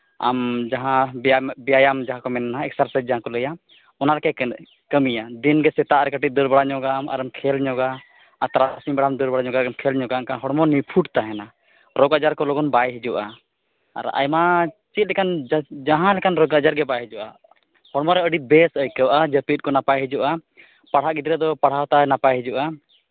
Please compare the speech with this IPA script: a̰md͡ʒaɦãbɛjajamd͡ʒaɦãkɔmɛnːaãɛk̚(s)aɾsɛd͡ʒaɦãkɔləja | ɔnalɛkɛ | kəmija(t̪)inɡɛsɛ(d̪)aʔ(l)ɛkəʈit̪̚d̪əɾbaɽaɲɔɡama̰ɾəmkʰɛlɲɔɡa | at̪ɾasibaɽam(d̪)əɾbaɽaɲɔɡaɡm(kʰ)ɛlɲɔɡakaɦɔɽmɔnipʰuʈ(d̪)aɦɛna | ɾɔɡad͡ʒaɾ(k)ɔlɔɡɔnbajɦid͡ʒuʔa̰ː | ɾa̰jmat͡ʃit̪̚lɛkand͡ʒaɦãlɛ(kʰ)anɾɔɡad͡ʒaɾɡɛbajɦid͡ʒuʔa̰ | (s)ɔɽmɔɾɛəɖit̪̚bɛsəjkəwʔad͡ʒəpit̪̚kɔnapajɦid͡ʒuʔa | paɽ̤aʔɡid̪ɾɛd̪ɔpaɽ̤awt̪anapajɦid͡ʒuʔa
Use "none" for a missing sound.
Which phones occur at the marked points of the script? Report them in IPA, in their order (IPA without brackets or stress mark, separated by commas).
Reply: s, d̪, t̪, ɾ, d̪, kʰ, t̪, k, k, h